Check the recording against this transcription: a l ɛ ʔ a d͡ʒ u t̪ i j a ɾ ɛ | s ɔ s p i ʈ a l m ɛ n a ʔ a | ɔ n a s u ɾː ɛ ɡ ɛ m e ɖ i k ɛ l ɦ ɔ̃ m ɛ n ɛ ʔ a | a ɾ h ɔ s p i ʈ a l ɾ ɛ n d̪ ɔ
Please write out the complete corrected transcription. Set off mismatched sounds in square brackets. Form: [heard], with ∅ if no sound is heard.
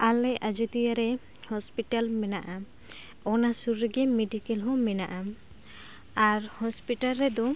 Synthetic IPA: a l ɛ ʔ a d͡ʒ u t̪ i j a ɾ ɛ | [h] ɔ s p i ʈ a l m ɛ n a ʔ a | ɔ n a s u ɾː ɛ ɡ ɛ m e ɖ i k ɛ l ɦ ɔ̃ m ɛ n [a] ʔ a | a ɾ h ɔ s p i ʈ a l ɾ ɛ [∅] d̪ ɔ